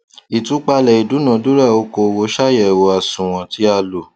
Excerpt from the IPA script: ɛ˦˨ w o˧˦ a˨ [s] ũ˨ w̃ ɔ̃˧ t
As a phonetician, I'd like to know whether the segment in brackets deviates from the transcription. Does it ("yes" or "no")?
no